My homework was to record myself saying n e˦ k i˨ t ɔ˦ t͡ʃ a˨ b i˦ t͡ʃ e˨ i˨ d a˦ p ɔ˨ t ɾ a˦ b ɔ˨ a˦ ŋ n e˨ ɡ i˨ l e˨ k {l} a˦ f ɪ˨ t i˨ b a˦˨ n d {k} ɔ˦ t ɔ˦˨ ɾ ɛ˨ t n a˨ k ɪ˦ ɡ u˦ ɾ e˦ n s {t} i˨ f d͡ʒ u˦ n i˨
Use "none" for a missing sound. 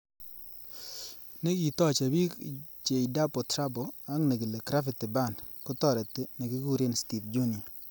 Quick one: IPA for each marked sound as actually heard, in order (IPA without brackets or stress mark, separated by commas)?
ɾ, k, t